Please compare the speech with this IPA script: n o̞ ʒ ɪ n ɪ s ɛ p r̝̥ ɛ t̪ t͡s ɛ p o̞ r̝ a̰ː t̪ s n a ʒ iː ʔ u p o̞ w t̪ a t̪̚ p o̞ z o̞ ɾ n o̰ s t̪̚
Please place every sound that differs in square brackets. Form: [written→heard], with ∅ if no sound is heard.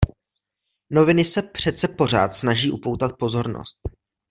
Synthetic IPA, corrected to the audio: n o̞ [ʒ→v] ɪ n ɪ s ɛ p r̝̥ ɛ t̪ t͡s ɛ p o̞ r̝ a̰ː t̪ s n a ʒ iː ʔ u p o̞ w t̪ a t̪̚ p o̞ z o̞ ɾ n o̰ s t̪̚